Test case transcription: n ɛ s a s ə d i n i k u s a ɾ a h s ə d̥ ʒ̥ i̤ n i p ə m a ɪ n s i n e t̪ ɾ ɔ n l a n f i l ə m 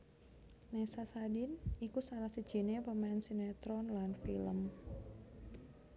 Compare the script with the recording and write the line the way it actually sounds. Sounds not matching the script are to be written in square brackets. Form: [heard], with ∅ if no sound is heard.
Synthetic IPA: n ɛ s a s [a] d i n i k u s a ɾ a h s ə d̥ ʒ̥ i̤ n [e] p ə m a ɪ n s i n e t̪ ɾ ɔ n l a n f i l ə m